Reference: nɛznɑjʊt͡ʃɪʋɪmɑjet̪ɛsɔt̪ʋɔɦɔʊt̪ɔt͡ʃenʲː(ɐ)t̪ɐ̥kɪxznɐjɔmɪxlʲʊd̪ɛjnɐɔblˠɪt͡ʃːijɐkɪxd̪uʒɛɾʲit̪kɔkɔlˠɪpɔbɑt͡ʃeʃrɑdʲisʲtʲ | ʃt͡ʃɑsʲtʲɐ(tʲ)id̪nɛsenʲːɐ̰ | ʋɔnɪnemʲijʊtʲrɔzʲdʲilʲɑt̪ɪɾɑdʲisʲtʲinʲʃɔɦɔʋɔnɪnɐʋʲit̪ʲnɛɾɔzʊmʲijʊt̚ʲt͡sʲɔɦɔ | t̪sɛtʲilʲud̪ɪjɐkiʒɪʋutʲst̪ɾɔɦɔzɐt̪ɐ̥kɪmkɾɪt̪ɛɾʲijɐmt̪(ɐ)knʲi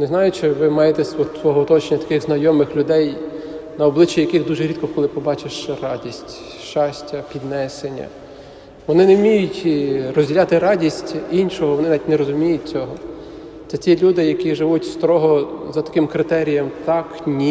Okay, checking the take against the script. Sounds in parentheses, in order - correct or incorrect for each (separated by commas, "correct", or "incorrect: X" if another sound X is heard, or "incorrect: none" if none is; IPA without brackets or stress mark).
correct, incorrect: pʲ, incorrect: ɑ